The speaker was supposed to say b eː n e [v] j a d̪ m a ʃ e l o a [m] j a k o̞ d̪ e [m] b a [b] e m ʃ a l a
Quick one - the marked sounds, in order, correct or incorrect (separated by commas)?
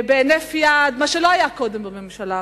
incorrect, incorrect, correct, incorrect